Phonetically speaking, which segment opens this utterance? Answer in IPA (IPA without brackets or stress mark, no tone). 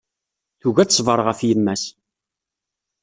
θ